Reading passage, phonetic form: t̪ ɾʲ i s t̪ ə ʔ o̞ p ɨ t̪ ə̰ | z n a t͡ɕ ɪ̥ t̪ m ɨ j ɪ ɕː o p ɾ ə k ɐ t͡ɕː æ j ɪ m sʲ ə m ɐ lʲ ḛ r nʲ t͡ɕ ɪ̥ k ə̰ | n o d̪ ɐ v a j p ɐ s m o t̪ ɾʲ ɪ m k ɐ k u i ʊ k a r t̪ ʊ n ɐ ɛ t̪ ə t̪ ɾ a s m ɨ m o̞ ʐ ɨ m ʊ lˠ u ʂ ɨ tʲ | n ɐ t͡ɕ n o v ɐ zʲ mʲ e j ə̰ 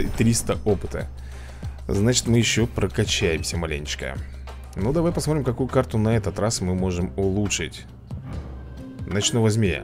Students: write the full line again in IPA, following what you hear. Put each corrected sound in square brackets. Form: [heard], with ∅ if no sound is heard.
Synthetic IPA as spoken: t̪ ɾʲ i s t̪ ə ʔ o̞ p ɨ t̪ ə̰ | z n a t͡ɕ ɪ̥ t̪ m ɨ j ɪ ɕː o p ɾ ə k ɐ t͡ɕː æ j ɪ m sʲ ə m ɐ lʲ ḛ [∅] nʲ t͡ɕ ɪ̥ k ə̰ | n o d̪ ɐ v a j p ɐ s m o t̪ ɾʲ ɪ m k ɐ k u [j] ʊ k a r t̪ ʊ n ɐ ɛ t̪ ə t̪ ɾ a s m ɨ m o̞ ʐ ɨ m ʊ lˠ u ʂ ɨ tʲ | n ɐ t͡ɕ n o v ɐ zʲ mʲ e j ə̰

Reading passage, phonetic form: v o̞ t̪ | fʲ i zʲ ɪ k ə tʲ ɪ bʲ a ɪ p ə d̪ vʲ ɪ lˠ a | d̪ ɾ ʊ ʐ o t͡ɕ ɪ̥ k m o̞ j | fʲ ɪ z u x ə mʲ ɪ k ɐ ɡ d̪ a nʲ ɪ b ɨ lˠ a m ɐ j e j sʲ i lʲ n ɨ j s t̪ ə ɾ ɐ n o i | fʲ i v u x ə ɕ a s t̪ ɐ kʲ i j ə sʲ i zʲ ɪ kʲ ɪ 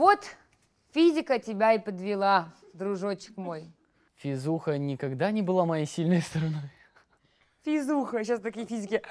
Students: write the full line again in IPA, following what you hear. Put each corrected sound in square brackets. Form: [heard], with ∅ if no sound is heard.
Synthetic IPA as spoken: v o̞ t̪ | fʲ i zʲ ɪ k ə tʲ ɪ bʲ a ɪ p ə d̪ vʲ ɪ lˠ a | d̪ ɾ ʊ ʐ o t͡ɕ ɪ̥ k m o̞ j | fʲ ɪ z u x ə [nʲ] ɪ k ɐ ɡ d̪ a nʲ ɪ b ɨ lˠ a m ɐ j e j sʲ i lʲ n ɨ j s t̪ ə ɾ ɐ n o [j] | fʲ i [z] u x ə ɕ a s t̪ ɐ kʲ i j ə [fʲ] i zʲ ɪ kʲ ɪ

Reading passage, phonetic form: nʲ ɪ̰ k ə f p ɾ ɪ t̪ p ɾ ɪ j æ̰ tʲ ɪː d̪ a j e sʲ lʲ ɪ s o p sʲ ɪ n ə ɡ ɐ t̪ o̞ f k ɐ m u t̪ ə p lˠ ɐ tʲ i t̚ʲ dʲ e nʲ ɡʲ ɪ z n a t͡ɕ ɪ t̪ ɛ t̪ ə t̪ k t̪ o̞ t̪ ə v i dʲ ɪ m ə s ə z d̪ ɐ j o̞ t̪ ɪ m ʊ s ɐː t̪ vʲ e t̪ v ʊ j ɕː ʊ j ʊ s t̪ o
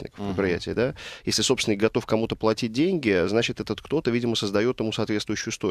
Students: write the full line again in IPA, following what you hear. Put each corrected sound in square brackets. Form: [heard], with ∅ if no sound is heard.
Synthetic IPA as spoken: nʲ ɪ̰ k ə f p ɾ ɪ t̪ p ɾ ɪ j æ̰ tʲ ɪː d̪ a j e sʲ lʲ ɪ s o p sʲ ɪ n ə ɡ ɐ t̪ o̞ f k ɐ m u t̪ ə p lˠ ɐ tʲ i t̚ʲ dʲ e nʲ ɡʲ ɪ z n a t͡ɕ ɪ t̪ ɛ t̪ ə t̪ k t̪ o̞ t̪ ə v i dʲ ɪ m ə s ə z d̪ ɐ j o̞ t̪ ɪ m [u] s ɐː t̪ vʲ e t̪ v ʊ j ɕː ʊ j ʊ s t̪ o

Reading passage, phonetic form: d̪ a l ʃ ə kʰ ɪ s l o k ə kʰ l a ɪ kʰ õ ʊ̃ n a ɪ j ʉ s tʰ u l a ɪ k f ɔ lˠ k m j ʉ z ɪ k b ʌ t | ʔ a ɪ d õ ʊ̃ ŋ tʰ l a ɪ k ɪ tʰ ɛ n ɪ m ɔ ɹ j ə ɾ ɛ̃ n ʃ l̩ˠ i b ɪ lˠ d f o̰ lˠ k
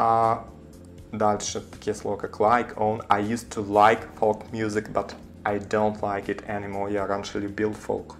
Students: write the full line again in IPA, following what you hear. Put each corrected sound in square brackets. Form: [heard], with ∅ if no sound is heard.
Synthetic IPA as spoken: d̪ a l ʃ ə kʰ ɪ s l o k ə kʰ l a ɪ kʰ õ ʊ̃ n a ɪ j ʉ s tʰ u l a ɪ k f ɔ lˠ k m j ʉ z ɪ k b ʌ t | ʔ a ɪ d õ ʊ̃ [n] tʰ l a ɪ k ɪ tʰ ɛ n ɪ m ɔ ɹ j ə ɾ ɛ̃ n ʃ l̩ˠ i b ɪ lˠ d f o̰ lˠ k

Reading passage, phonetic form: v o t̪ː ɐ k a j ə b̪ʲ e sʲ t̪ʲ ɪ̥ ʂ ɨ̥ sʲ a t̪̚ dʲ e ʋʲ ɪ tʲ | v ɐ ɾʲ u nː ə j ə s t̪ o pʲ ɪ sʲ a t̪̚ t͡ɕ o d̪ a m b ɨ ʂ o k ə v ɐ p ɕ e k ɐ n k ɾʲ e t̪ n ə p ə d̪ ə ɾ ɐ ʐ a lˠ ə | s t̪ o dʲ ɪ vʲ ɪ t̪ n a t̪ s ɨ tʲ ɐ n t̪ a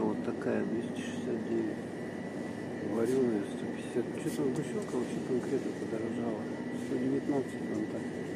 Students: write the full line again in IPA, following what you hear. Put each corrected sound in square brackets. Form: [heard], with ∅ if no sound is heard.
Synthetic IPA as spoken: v o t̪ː ɐ k a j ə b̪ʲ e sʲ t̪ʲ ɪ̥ ʂ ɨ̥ sʲ a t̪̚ dʲ e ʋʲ ɪ tʲ | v ɐ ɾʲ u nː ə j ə s t̪ o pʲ ɪ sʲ a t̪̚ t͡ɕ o [t̪] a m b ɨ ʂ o k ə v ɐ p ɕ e k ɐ n k ɾʲ e t̪ n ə p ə d̪ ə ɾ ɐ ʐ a lˠ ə | s t̪ o dʲ ɪ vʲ ɪ t̪ n a t̪ s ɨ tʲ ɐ n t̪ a

